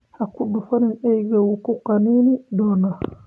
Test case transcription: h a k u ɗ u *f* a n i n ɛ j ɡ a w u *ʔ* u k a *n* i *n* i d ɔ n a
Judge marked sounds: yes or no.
yes, no, yes, yes

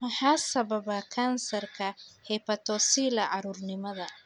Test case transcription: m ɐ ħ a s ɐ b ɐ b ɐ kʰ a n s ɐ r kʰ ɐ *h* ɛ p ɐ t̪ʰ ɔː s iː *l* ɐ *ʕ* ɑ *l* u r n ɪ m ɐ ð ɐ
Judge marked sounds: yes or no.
yes, yes, yes, no

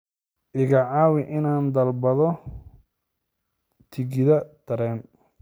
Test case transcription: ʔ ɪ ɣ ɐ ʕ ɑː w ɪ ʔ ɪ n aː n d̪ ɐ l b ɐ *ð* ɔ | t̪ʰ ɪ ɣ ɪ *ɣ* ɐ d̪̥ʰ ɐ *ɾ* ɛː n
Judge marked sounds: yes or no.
yes, no, yes

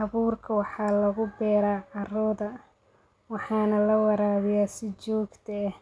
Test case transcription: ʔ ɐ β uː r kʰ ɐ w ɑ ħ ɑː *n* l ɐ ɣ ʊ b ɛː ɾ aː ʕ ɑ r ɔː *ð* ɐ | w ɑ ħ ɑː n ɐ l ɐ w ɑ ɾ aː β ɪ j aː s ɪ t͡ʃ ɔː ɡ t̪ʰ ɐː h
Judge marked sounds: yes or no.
no, yes

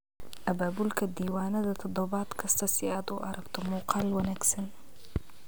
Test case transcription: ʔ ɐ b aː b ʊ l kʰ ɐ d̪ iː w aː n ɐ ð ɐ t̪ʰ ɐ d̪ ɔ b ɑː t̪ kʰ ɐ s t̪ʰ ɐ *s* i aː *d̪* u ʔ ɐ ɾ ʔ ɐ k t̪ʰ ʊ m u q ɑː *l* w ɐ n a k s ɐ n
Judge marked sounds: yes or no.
yes, yes, yes

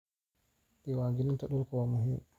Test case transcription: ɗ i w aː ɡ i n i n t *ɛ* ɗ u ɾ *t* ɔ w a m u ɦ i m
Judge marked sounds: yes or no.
no, no

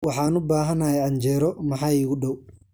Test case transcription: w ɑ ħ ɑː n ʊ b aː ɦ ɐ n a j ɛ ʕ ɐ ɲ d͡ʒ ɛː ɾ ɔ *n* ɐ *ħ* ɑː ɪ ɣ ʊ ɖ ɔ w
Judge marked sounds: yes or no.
no, yes

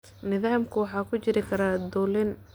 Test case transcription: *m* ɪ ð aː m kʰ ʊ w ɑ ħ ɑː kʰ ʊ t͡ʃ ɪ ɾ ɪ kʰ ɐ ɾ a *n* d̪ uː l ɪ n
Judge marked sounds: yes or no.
no, no

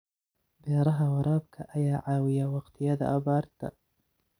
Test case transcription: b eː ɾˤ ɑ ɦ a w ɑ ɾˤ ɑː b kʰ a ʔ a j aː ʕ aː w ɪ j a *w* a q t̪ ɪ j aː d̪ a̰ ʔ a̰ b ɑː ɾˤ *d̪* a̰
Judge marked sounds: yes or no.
yes, no

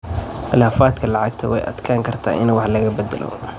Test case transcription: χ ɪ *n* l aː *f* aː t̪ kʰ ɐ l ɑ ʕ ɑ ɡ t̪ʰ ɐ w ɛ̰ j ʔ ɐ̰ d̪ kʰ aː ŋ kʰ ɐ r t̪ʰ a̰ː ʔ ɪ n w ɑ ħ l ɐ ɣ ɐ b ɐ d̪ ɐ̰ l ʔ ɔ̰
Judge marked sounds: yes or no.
no, yes

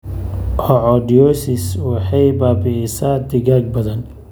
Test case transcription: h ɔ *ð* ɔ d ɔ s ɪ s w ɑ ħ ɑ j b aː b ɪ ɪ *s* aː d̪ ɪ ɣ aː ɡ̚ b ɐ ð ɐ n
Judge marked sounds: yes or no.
no, yes

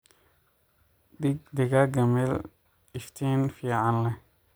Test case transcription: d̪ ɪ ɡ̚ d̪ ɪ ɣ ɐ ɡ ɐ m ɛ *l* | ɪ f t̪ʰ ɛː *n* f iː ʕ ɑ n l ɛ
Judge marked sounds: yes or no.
yes, yes

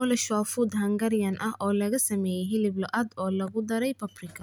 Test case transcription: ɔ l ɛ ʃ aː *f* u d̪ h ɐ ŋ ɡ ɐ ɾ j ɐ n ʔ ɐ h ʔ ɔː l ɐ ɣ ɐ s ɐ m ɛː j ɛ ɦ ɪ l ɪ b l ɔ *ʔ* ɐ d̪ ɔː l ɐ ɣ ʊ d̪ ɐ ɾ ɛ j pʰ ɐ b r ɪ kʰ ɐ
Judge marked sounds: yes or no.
yes, yes

